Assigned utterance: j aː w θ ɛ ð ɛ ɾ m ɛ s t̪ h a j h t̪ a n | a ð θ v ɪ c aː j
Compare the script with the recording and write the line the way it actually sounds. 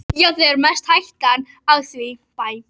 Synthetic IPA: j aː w θ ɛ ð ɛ ɾ m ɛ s t̪ h a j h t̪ a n | a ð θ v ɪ p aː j